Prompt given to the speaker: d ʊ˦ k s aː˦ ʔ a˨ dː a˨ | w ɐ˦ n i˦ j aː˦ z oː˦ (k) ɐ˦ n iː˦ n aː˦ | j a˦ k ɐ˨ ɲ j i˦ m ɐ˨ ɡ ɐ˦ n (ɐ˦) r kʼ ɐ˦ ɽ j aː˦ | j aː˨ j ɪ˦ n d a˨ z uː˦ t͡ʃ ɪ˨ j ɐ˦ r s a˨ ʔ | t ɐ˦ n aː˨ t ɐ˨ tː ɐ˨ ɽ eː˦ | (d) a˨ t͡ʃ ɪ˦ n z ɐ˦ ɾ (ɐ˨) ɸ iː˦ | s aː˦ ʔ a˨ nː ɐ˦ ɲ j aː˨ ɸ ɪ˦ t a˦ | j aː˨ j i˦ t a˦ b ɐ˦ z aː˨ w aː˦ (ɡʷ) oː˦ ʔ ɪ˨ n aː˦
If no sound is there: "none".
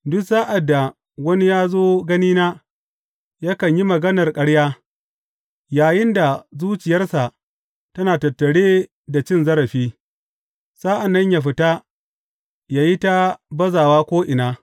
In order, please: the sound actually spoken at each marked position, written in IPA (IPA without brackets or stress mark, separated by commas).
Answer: ɡ, ɐ˨, d, ɐ˨, kʷ